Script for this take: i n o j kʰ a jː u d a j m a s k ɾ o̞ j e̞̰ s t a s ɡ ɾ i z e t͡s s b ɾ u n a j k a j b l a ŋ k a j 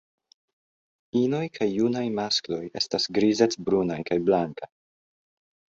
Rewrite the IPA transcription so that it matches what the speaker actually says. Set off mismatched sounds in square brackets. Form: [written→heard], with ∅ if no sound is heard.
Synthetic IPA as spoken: i n o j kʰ a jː u [d→n] a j m a s k [ɾ→l] o̞ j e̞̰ s t a s ɡ ɾ i z e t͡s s b ɾ u n a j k a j b l a ŋ k a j